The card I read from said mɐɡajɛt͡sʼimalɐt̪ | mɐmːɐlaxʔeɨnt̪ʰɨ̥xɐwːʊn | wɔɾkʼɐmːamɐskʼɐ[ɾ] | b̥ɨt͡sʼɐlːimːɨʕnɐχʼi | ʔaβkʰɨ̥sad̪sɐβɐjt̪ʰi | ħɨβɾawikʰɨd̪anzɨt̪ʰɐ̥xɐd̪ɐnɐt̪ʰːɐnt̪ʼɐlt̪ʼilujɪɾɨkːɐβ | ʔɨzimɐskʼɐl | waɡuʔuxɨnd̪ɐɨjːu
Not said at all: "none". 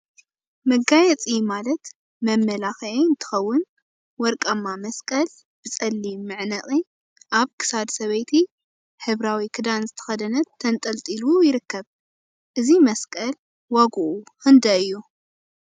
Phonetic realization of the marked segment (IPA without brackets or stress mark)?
l